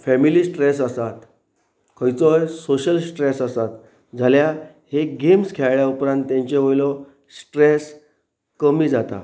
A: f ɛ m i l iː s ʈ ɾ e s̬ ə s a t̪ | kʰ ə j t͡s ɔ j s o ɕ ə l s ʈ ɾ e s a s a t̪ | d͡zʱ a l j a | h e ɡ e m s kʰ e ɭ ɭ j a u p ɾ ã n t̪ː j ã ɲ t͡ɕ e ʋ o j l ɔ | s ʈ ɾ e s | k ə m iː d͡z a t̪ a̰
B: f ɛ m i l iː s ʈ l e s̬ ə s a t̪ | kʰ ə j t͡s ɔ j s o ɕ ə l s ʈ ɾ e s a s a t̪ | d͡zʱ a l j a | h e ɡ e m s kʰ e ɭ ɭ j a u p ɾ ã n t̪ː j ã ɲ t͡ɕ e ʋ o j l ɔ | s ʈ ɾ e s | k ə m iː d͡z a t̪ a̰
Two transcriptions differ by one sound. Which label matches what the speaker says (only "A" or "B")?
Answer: A